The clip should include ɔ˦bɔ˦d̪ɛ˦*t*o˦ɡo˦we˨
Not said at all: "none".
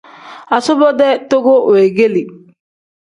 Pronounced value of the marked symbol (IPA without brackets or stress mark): t